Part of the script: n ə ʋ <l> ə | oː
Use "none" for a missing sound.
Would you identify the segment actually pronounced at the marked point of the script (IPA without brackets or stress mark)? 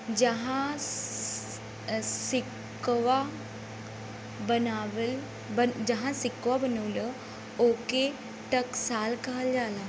l